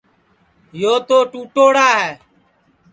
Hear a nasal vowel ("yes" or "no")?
no